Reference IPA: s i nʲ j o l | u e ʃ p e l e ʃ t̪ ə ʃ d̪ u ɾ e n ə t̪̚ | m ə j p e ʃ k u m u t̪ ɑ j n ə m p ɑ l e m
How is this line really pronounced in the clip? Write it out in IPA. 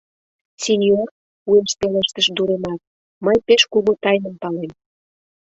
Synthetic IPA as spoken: s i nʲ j o r | u e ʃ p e l e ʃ t̪ ə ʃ d̪ u ɾ e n ɑ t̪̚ | m ə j p e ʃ k u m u t̪ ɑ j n ə m p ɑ l e m